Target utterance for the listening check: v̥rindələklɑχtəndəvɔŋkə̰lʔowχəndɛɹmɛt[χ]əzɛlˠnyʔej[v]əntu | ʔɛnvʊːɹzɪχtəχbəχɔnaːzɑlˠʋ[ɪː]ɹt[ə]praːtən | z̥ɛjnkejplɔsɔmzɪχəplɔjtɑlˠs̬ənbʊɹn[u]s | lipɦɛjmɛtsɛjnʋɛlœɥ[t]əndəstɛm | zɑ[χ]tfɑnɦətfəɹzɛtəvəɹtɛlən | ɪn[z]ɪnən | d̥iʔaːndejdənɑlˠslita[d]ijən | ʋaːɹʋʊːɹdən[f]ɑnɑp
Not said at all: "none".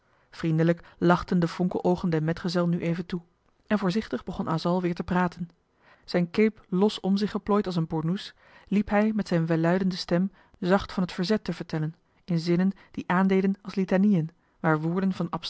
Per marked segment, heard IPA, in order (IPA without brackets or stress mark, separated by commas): χ, v, ɪː, ə, u, d, χ, z, n, v